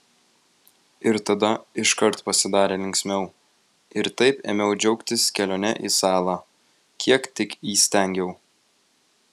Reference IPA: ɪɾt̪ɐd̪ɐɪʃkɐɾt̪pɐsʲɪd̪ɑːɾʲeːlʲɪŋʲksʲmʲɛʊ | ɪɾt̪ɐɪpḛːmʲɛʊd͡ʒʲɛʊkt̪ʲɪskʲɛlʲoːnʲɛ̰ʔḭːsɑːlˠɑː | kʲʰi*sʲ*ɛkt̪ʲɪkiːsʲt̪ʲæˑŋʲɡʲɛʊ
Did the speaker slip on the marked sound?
yes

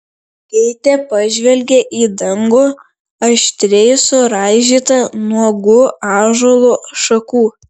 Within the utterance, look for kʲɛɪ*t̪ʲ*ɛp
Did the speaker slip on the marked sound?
no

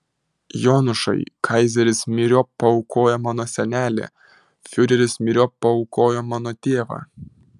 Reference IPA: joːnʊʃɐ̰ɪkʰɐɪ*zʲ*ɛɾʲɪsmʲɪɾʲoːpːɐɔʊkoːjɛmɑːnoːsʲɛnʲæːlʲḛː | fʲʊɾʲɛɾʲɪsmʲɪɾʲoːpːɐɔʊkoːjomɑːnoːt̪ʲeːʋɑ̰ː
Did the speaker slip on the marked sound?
no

